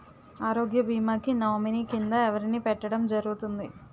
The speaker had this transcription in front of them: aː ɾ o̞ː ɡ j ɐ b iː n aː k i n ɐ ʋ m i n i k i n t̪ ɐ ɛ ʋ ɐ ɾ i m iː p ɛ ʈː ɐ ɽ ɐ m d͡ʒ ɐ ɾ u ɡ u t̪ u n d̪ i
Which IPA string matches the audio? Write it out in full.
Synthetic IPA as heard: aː ɾ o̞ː ɡ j ɐ b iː m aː k i n ɐ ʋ m i n i k i n d̪ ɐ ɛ ʋ ɐ ɾ i n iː p ɛ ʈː ɐ ɽ ɐ m d͡ʒ ɐ ɾ u ɡ u t̪ u n d̪ i